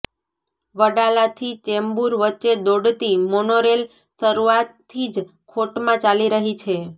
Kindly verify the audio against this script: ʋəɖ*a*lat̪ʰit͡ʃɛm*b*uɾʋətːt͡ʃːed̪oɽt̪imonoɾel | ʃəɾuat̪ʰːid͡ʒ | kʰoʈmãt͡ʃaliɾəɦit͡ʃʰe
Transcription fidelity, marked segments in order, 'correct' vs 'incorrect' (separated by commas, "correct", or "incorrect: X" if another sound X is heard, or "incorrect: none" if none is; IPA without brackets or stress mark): correct, correct